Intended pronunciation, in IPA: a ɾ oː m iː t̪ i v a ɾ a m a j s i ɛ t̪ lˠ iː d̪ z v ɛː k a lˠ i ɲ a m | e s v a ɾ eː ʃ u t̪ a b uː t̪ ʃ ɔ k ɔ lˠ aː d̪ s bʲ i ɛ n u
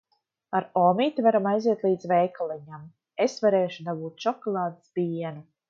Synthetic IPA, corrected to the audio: a ɾ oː m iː t̪ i v a ɾ a m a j z i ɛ t̪ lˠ iː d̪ z v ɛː k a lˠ i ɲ a m | e s v a ɾ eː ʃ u d̪ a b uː t̪ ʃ ɔ k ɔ lˠ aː d̪ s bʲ i ɛ n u